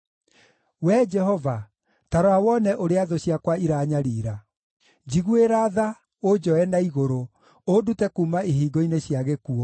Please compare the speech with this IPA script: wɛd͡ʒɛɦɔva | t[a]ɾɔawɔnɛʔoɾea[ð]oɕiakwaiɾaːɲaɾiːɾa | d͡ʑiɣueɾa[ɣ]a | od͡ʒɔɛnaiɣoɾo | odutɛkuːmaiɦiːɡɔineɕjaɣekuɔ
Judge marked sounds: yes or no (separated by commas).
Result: yes, yes, no